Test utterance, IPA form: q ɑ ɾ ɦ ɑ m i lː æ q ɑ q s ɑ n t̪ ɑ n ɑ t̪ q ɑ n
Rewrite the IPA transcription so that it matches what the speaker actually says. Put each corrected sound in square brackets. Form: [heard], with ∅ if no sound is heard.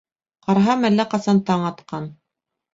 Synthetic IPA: q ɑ ɾ ɦ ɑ m [æ] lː æ q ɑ [∅] s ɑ n t̪ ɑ [ɴ] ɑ t̪ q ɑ n